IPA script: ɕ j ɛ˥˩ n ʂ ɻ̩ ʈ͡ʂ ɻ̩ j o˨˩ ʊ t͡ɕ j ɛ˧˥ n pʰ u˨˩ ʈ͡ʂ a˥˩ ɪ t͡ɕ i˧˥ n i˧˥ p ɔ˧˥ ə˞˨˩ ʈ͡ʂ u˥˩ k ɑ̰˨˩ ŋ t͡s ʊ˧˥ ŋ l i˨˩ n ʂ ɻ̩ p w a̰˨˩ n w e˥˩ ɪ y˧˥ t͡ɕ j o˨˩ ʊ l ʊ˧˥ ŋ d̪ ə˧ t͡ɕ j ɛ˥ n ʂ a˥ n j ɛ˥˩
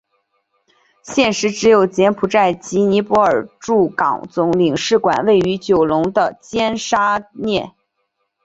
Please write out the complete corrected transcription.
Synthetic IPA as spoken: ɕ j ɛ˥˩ n ʂ ɻ̩ ʈ͡ʂ ɻ̩ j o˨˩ ʊ t͡ɕ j ɛ˧˥ n pʰ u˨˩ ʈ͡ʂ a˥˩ ɪ t͡ɕ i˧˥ n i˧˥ p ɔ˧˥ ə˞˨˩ ʈ͡ʂ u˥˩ k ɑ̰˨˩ ŋ t͡s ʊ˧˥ ŋ l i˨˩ ŋ ʂ ɻ̩ k w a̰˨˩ n w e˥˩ ɪ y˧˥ t͡ɕ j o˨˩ ʊ l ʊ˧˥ ŋ d̪ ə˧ t͡ɕ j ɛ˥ n ʂ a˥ n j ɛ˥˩